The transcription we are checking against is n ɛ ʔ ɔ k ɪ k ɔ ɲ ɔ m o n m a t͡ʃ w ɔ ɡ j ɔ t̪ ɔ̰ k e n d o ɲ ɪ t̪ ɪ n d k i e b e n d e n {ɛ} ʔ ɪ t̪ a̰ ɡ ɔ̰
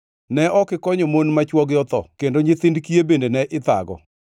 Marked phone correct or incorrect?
correct